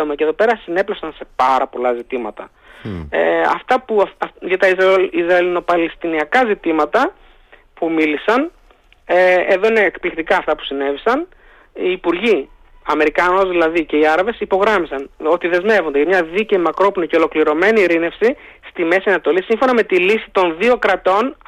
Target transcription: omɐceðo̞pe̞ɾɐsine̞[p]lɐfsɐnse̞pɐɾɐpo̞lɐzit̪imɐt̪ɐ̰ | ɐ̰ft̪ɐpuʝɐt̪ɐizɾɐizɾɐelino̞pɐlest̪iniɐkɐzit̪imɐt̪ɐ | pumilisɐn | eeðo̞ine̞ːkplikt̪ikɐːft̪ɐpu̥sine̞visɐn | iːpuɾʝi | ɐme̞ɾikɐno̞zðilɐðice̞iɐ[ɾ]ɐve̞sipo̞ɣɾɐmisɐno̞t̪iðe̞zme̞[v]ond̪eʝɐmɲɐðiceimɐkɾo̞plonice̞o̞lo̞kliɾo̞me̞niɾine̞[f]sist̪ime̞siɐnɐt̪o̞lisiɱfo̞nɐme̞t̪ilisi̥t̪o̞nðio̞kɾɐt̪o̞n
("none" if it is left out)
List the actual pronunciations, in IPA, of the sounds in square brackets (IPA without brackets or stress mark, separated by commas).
p, ɾ, v, f